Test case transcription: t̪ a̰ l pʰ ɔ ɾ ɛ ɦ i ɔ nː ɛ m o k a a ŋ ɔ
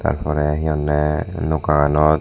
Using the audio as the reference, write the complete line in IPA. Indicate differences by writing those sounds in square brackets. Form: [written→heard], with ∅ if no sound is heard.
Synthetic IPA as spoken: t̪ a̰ [l→ɾ] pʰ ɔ ɾ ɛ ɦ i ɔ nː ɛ [m→n] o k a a [ŋ→n] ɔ